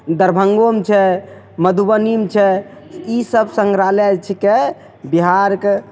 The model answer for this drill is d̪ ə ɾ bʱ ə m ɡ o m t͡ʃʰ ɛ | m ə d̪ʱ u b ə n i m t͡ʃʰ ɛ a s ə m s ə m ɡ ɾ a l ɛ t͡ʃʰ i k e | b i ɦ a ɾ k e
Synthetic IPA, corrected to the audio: d̪ ə ɾ bʱ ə ŋ ɡ o m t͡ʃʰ ɛ | m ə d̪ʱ u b ə n i m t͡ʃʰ ɛ i s ə b s ə ŋ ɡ ɾ a l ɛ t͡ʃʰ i k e | b i ɦ a ɾ k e